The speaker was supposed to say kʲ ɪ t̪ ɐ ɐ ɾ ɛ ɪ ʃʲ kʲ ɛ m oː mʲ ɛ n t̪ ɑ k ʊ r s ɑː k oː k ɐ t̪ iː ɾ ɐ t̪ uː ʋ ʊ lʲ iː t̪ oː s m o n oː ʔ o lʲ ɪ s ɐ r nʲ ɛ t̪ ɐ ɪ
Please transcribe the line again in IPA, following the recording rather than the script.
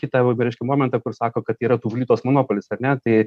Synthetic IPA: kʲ ɪ t̪ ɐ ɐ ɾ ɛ ɪ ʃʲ kʲ ɛ m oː mʲ ɛ n t̪ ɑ k ʊ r s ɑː k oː k ɐ t̪ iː ɾ ɐ t̪ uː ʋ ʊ lʲ iː t̪ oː s m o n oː p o lʲ ɪ s ɐ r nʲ ɛ t̪ ɐ ɪ